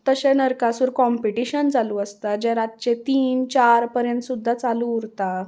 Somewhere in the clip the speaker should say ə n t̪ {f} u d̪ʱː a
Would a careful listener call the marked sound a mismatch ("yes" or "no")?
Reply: yes